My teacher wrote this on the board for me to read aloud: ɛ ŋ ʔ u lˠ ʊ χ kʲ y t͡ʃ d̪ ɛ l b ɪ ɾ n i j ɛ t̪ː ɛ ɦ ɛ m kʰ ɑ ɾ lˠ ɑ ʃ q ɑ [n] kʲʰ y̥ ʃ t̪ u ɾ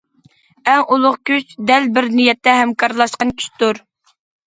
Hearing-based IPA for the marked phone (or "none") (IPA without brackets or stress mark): n